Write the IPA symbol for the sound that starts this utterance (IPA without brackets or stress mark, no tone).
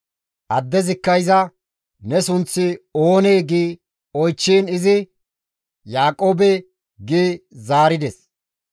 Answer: ʔ